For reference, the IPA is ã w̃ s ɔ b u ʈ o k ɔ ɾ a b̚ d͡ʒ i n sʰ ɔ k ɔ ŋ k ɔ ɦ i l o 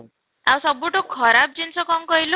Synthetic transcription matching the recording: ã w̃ s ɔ b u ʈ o kʰ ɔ ɾ a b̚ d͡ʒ i n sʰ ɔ k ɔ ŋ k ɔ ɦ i l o